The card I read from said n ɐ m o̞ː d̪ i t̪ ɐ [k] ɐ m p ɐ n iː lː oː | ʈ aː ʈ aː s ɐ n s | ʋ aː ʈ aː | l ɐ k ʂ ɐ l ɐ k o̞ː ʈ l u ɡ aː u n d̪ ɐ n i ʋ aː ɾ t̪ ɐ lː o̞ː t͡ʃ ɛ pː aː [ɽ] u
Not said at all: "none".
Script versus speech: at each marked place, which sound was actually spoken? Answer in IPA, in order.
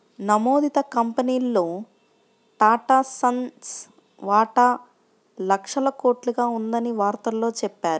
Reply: k, ɾ

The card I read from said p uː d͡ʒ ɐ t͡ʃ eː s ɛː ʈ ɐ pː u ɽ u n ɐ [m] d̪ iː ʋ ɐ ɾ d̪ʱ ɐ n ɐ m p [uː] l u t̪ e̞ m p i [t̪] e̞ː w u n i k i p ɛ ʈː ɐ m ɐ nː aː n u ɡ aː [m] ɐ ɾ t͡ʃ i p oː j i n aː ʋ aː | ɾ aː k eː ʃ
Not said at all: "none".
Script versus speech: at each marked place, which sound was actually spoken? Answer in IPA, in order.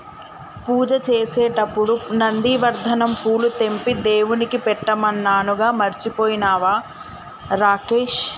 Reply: n, uː, d̪, m

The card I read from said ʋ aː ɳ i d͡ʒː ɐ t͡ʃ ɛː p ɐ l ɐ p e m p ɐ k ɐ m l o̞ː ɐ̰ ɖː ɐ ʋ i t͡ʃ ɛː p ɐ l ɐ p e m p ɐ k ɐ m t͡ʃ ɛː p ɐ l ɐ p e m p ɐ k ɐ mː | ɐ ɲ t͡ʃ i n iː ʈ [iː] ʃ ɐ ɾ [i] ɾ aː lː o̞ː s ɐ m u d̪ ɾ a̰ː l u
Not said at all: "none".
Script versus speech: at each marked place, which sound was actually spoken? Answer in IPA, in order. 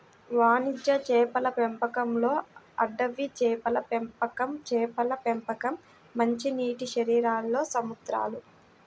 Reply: i, iː

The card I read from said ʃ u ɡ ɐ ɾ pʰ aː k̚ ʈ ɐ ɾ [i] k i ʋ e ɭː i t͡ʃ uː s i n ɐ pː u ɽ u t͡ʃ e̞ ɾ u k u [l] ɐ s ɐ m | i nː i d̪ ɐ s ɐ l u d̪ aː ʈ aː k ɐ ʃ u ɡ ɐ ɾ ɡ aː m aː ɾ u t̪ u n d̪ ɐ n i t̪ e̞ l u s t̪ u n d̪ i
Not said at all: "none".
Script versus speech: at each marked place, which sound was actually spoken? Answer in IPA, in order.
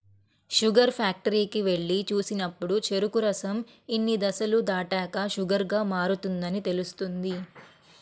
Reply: iː, ɾ

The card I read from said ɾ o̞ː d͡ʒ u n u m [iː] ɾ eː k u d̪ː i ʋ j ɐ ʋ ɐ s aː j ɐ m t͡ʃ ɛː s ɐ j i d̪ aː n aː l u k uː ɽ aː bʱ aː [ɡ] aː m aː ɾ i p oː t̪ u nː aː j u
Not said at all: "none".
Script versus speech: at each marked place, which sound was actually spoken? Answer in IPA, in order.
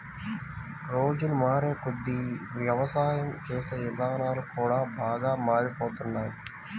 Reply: aː, ɡ

